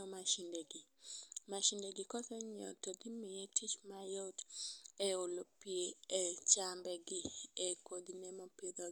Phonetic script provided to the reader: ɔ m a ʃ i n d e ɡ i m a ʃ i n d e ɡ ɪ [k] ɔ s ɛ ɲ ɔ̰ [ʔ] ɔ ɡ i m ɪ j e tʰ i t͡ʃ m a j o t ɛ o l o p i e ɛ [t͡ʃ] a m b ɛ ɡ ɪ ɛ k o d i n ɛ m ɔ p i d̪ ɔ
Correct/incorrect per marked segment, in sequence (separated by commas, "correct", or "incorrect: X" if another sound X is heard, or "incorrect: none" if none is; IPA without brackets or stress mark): correct, incorrect: t, correct